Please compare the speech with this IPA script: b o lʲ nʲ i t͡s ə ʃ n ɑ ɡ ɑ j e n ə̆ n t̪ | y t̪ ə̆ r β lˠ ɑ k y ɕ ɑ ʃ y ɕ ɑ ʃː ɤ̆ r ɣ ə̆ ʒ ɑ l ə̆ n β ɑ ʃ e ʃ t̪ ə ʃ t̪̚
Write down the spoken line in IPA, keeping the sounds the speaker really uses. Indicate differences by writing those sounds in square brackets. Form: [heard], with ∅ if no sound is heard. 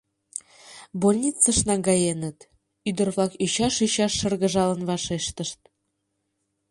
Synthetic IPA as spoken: b o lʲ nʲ i t͡s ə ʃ n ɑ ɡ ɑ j e n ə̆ [∅] t̪ | y [d̪] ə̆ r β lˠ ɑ k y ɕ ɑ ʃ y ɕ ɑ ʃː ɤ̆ r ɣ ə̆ ʒ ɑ l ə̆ n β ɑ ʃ e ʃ t̪ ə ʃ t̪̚